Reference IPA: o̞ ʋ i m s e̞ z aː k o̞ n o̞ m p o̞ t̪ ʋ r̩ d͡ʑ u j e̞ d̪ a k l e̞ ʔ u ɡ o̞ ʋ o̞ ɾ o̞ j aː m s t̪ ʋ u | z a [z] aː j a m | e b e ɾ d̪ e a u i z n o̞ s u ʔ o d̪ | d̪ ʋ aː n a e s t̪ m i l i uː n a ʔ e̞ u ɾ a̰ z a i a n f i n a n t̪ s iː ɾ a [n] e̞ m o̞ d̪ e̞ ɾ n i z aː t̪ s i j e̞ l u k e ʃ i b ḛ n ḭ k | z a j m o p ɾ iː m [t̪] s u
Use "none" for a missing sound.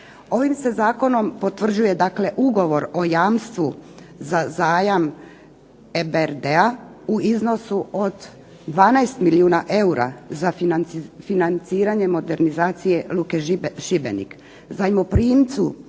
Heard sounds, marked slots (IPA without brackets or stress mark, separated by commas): z, ɲ, t̪